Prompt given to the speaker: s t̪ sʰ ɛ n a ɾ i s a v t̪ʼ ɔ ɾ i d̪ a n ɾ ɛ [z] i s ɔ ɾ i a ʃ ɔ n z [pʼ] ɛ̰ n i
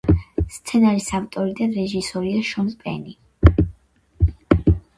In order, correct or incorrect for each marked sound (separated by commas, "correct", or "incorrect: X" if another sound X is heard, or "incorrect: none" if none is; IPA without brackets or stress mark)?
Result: incorrect: ʒ, correct